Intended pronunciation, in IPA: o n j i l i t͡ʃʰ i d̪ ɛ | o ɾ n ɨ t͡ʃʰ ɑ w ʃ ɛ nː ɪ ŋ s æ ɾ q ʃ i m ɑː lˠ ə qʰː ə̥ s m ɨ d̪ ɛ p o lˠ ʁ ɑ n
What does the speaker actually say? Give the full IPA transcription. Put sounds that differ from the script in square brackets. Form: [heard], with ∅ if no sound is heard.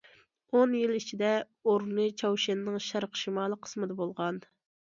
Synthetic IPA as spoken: o n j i l i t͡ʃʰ i d̪ ɛ | o ɾ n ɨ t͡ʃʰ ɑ w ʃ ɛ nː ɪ ŋ [ʃ] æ ɾ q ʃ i m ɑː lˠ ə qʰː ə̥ s m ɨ d̪ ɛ [b] o lˠ ʁ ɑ n